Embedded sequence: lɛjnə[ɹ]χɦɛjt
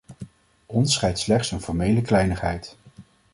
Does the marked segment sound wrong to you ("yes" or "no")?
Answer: yes